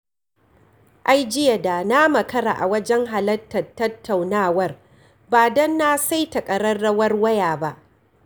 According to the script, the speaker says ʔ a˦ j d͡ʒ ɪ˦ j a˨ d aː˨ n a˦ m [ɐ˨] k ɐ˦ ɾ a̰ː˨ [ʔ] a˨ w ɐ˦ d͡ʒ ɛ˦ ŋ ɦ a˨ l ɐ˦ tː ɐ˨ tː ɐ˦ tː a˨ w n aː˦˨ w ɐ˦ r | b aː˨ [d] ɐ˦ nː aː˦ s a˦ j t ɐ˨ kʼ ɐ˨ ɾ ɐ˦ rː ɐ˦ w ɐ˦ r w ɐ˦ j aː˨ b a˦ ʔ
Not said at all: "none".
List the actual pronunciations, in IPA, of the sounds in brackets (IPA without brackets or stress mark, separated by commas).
ɐ˨, ʔ, d